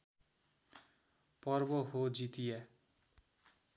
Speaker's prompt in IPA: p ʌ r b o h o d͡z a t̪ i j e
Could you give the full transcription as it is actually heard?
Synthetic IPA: p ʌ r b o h o d͡z i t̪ i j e